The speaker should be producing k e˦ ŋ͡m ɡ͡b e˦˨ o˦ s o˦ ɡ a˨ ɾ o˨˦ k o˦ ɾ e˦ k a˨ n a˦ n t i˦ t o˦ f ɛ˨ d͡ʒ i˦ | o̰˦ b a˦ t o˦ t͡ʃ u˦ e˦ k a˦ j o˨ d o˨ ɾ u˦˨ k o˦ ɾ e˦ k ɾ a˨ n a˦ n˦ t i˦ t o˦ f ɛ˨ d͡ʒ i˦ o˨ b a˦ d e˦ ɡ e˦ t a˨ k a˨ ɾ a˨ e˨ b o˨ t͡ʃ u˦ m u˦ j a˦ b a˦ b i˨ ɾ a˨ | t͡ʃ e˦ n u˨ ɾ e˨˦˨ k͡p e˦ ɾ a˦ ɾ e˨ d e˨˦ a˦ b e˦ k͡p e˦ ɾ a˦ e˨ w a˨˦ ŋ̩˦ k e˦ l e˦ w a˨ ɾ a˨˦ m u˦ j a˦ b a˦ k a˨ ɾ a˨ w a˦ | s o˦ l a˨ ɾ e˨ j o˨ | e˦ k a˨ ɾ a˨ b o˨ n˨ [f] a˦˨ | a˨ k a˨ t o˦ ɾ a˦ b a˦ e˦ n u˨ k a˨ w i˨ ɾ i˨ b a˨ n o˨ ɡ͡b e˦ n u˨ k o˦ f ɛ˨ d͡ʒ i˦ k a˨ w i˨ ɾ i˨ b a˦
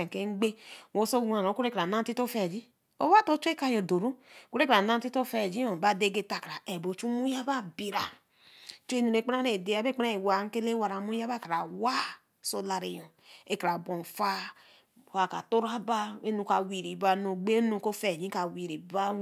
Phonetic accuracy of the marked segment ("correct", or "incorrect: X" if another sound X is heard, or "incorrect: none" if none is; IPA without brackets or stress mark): correct